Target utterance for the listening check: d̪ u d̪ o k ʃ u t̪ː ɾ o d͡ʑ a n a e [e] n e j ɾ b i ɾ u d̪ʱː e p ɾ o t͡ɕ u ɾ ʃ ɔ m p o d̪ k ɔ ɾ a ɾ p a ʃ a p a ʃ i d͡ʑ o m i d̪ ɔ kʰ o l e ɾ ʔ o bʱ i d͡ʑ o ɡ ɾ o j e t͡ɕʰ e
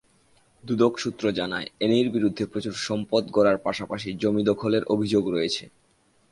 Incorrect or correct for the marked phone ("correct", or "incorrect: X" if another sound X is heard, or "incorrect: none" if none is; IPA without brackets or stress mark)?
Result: correct